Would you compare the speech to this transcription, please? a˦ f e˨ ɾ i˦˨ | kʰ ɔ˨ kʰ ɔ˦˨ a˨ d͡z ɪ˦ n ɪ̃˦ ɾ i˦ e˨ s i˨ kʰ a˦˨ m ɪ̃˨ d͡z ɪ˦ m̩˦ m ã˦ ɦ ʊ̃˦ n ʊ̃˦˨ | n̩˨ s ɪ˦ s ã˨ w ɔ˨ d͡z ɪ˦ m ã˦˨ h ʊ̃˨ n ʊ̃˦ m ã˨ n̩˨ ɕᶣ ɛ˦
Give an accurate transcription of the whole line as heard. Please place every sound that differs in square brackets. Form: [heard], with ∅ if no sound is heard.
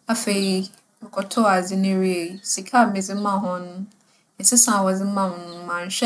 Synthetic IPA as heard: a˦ f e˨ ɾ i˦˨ | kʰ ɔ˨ [tʰ] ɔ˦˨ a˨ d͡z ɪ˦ n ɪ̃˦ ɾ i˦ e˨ s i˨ kʰ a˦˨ m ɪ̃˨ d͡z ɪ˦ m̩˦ m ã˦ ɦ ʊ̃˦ n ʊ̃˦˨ | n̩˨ s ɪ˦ s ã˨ w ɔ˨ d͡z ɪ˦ m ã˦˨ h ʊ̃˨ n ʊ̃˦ m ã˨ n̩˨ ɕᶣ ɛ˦